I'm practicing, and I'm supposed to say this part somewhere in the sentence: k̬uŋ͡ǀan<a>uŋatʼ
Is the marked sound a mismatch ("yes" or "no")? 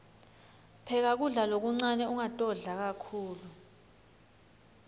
yes